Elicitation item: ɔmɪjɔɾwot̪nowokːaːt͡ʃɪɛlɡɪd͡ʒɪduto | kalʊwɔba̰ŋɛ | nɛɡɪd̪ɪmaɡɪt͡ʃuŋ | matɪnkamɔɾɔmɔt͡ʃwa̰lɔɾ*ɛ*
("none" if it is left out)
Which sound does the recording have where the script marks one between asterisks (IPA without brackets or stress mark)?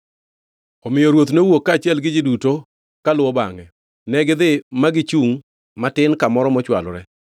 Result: ɛ